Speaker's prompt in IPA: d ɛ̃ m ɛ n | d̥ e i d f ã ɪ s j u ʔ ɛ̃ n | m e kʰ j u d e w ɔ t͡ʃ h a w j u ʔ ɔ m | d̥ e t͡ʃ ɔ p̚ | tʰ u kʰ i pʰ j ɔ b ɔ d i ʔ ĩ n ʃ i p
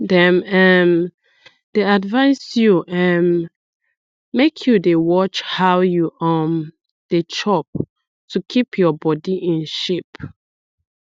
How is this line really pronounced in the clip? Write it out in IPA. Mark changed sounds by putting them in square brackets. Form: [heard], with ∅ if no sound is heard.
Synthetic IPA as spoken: d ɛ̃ m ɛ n | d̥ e [a] d [v] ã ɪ s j u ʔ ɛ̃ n | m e kʰ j u d e w ɔ t͡ʃ h a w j u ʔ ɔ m | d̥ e t͡ʃ ɔ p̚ | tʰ u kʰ i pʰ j ɔ b ɔ d i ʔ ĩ n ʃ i p